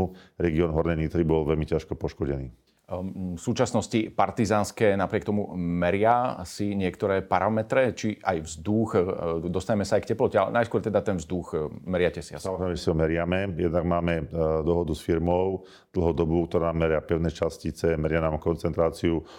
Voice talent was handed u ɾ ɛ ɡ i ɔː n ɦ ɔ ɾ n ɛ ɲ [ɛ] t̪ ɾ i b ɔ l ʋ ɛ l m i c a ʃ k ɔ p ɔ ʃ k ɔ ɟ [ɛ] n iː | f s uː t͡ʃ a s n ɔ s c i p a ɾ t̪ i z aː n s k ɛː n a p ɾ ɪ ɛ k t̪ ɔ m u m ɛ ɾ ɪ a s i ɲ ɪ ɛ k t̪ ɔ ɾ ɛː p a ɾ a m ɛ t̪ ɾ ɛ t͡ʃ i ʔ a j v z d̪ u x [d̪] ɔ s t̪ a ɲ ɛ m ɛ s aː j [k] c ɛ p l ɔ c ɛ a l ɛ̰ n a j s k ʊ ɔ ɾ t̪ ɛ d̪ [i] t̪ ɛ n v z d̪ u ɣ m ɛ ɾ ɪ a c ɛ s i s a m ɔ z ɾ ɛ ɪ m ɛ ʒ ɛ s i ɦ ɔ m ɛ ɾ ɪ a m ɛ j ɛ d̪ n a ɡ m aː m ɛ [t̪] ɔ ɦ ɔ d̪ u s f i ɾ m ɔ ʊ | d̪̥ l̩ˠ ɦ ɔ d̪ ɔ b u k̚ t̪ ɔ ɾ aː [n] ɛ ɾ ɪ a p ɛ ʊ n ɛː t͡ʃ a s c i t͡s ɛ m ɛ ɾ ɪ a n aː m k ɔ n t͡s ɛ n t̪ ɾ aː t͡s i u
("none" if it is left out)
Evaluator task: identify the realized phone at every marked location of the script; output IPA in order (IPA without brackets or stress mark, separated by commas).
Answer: i, ɛ, d̪, k, a, d̪, m